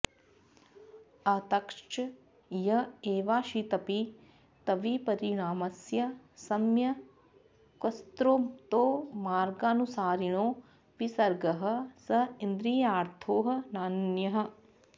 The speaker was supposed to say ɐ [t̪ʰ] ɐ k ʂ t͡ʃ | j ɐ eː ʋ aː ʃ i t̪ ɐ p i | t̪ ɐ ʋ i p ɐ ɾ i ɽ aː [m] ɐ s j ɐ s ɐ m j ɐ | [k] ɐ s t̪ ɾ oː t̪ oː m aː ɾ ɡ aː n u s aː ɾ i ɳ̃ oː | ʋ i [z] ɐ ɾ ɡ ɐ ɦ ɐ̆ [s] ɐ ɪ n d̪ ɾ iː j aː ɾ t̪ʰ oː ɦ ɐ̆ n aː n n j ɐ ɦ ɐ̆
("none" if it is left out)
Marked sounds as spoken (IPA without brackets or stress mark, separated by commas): t̪, m, k, s, s